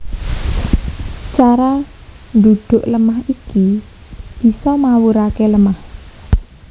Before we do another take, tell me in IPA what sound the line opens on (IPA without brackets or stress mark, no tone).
t͡ʃ